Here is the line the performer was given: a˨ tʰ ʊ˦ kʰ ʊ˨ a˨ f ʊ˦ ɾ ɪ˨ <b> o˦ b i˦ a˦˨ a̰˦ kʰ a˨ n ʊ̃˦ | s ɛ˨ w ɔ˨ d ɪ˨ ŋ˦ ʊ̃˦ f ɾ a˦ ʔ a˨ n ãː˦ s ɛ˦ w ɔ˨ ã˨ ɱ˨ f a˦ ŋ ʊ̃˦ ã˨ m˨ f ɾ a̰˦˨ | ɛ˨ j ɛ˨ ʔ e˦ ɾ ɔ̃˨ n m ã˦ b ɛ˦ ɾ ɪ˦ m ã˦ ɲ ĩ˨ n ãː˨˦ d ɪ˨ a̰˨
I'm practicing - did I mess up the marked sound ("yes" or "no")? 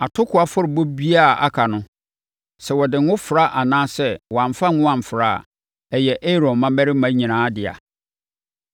no